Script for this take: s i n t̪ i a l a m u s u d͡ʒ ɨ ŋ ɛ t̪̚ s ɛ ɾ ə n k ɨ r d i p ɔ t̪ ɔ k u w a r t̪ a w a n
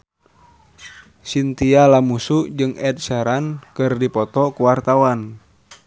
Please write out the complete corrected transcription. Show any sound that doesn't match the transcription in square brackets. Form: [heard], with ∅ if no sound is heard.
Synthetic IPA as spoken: s i n t̪ i a l a m u s u d͡ʒ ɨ ŋ ɛ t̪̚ s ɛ ɾ [a] n k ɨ r d i p ɔ t̪ ɔ k u w a r t̪ a w a n